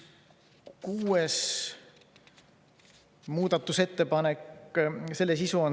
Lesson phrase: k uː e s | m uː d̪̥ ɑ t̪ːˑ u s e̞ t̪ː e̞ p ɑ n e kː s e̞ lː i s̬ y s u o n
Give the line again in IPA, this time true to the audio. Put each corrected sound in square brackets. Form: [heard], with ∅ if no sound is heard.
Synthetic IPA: k uː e s | m uː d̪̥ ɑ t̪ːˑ u s e̞ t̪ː e̞ p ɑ n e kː s e̞ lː [e] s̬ [i] s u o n